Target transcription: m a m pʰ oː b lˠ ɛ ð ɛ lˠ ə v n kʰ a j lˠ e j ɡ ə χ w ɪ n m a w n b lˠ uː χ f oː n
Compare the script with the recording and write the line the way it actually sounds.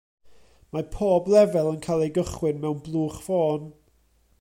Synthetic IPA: m a pʰ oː b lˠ ɛ v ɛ lˠ ə n kʰ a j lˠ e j ɡ ə χ w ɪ n m ɛ w n b lˠ uː χ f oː n

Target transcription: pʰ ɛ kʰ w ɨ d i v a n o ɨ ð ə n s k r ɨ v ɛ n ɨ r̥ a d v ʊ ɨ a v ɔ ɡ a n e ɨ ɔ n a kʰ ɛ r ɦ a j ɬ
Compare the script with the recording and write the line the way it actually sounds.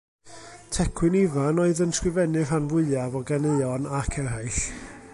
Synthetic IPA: tʰ ɛ kʰ w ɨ n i v a n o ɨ ð ə n s k r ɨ v ɛ n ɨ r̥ a n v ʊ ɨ a v ɔ ɡ a n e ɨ ɔ n a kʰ ɛ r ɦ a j ɬ

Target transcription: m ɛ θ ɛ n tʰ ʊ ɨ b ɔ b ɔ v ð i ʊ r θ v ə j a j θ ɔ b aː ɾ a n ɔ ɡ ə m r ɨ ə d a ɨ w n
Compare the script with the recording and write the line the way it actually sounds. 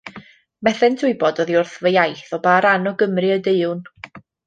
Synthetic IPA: m ɛ θ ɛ n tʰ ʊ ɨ b ɔ d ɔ ð i ʊ r θ v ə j a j θ ɔ b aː ɾ a n ɔ ɡ ə m r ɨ ə d e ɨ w n

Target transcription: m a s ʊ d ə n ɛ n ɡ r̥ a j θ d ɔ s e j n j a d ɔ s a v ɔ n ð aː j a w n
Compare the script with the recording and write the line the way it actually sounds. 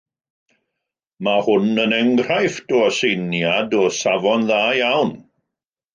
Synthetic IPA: m a h ʊ n ə n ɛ ŋ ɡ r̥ a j f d ɔ s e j n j a d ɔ s a v ɔ n ð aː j a w n

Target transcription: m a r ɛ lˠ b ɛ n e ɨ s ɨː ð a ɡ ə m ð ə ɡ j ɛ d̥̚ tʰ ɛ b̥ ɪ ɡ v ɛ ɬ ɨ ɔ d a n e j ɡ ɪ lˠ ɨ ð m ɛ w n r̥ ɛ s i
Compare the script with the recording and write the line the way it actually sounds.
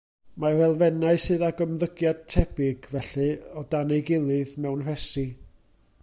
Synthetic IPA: m a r ɛ lˠ v ɛ n a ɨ s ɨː ð a ɡ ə m ð ə ɡ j a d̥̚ tʰ ɛ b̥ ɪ ɡ v ɛ ɬ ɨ ɔ d a n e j ɡ ɪ lˠ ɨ ð m ɛ w n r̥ ɛ s i

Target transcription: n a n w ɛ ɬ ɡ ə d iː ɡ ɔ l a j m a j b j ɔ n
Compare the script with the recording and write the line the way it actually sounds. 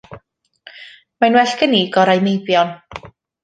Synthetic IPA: m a n w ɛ ɬ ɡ ə n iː ɡ ɔ ɾ a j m e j b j ɔ n

